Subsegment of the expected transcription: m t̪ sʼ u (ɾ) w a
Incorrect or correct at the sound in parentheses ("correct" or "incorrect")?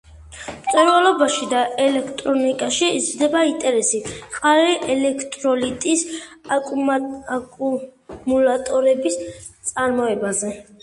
correct